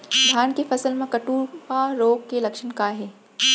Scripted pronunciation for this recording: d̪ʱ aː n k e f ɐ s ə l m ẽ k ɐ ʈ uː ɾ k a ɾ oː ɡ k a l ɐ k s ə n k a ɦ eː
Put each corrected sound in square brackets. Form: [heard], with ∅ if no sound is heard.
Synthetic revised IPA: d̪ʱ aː n k e f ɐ s ə l m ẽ k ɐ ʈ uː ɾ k a ɾ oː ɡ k [e] l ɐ k [ʃ] ə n k a ɦ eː